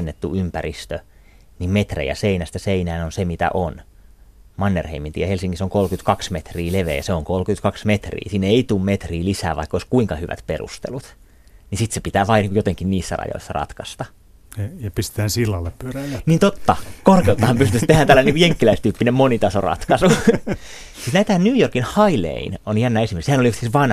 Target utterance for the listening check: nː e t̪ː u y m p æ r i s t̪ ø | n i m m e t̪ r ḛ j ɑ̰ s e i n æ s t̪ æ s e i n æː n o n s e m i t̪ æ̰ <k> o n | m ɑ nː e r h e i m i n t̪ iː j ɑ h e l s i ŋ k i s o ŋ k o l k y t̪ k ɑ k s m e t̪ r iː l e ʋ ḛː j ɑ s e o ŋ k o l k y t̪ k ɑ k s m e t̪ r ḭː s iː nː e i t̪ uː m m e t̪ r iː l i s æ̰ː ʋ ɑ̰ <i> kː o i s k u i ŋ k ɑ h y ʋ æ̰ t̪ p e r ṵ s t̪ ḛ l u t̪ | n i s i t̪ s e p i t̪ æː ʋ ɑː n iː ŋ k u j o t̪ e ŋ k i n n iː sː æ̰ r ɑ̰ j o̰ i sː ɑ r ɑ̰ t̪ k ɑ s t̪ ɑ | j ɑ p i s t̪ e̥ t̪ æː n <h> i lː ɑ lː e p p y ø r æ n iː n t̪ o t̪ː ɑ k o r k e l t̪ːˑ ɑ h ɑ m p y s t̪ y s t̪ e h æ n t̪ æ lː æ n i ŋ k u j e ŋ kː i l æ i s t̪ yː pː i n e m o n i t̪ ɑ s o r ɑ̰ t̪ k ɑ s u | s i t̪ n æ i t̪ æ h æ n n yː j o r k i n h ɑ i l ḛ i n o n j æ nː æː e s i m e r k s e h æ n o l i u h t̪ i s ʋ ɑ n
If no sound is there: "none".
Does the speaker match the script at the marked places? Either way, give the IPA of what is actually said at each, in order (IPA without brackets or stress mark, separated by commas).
ʔ, i, s